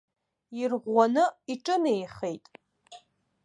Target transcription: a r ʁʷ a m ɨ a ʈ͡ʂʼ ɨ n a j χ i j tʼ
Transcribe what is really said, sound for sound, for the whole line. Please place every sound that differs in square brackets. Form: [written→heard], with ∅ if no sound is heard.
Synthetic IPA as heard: [a→i] r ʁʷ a [m→n] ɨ [a→i] ʈ͡ʂʼ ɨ n [a→e] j χ [i→e] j tʼ